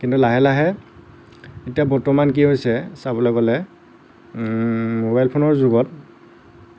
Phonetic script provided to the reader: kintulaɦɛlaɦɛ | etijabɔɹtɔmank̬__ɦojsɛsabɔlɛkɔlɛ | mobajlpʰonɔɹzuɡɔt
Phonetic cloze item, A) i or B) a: A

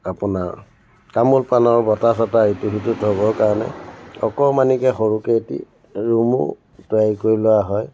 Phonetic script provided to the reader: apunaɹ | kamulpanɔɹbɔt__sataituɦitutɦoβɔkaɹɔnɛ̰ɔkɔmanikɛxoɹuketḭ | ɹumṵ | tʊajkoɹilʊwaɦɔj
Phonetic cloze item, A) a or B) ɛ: A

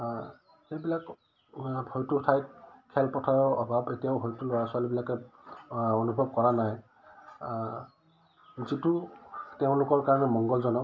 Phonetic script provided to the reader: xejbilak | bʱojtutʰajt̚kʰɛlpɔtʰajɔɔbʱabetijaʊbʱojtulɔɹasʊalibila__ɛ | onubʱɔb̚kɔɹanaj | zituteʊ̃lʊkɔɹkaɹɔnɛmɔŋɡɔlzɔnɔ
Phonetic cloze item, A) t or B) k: B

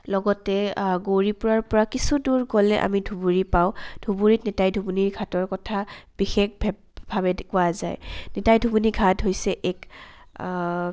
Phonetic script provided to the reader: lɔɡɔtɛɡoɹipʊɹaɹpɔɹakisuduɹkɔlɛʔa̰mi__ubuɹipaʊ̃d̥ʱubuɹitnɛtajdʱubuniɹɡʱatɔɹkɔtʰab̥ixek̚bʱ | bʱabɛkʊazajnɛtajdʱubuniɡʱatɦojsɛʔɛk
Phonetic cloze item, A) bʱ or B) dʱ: B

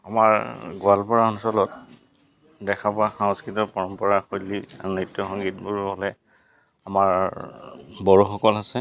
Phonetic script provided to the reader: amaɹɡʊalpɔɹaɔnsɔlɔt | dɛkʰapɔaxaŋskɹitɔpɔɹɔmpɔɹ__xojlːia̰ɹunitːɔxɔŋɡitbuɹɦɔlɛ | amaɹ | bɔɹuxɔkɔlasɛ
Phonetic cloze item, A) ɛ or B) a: B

